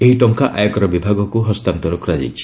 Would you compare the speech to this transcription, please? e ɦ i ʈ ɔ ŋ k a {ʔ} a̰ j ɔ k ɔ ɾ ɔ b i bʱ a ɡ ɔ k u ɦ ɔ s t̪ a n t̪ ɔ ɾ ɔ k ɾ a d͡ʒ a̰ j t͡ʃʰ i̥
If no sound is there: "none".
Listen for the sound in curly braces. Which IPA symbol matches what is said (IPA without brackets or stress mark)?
ʔ